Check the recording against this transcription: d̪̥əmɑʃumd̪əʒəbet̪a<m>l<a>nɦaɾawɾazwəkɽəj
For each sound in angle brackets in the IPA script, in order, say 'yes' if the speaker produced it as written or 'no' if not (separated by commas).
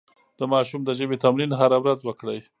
yes, no